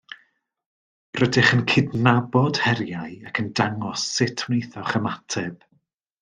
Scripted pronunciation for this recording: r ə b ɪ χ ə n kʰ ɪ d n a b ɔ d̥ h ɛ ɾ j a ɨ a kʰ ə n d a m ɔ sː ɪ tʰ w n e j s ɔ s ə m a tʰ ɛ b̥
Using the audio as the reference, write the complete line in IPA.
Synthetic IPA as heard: r ə d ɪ χ ə n kʰ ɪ d n a b ɔ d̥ h ɛ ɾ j a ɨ a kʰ ə n d a ŋ ɔ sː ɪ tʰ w n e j θ ɔ χ ə m a tʰ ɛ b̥